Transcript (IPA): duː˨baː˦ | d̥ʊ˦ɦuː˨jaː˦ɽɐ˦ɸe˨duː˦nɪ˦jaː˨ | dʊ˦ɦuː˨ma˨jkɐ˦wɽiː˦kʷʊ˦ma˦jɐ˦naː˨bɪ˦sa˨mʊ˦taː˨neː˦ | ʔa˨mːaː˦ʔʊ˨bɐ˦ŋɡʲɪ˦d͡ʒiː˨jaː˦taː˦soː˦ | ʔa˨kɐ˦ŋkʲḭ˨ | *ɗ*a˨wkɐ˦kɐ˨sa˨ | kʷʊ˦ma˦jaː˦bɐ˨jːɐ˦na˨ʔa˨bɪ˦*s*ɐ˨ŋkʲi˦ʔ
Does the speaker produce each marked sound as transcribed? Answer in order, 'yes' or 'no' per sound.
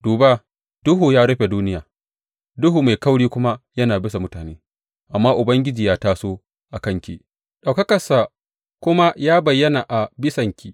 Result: yes, yes

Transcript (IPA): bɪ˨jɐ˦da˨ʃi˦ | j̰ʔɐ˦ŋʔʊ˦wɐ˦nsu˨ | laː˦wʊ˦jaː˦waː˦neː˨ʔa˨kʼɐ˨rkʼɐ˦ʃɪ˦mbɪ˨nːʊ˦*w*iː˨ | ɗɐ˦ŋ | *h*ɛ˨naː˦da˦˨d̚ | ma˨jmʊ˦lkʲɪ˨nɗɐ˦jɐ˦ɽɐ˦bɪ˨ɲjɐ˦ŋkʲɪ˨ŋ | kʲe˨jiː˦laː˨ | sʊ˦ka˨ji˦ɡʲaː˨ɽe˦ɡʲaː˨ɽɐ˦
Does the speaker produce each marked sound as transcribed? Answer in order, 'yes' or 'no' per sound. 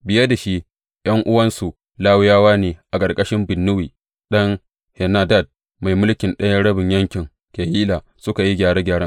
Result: yes, yes

